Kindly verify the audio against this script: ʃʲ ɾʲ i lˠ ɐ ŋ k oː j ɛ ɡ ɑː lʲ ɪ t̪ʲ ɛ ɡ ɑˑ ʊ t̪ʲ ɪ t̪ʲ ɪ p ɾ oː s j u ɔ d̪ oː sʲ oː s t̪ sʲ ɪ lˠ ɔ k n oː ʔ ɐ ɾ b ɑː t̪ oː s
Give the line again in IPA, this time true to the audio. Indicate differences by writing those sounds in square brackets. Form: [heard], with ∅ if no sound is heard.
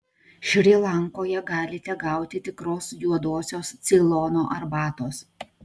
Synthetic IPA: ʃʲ ɾʲ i lˠ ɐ ŋ k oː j ɛ ɡ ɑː lʲ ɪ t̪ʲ ɛ ɡ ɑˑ ʊ t̪ʲ ɪ t̪ʲ ɪ [k] ɾ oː s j u ɔ d̪ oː sʲ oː s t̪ sʲ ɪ lˠ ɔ [∅] n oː ʔ ɐ ɾ b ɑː t̪ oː s